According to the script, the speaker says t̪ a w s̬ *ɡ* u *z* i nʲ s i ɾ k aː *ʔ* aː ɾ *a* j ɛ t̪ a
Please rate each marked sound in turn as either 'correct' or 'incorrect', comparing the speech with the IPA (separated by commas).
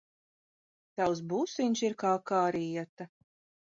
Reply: incorrect, incorrect, incorrect, incorrect